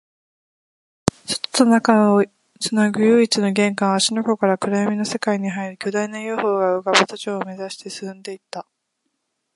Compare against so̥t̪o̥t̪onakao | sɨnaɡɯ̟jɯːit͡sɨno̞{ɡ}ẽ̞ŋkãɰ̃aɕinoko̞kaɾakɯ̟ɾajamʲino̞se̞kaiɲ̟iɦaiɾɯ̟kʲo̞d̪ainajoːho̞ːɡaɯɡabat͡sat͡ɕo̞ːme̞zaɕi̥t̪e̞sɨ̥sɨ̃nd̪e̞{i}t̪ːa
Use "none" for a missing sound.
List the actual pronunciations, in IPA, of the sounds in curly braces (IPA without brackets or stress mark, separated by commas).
ɡ, i